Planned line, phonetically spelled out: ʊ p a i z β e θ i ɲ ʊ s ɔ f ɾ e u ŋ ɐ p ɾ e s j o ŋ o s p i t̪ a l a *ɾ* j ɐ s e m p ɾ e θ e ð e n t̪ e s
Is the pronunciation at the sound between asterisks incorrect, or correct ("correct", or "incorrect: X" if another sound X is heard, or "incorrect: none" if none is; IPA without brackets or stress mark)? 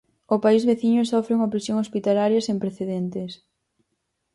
correct